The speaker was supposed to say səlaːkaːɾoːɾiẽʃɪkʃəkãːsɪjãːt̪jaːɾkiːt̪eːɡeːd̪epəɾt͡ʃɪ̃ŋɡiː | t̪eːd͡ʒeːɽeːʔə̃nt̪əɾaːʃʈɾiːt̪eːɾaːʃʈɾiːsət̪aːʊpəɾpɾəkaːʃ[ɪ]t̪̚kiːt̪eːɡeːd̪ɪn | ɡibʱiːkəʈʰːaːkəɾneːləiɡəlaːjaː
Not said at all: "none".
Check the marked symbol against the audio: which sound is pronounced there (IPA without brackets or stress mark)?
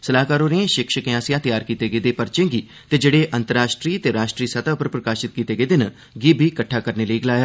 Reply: ɪ